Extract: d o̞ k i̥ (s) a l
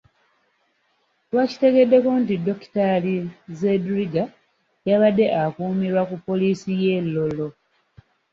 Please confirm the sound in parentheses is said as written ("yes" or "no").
no